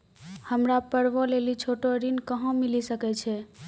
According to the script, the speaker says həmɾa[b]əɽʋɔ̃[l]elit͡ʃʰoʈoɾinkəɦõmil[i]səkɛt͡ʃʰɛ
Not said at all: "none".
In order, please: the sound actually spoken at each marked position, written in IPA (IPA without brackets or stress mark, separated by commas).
p, l, i